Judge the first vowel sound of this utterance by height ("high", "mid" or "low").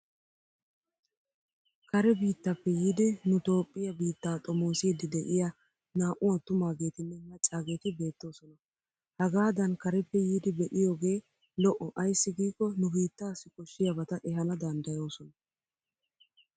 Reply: low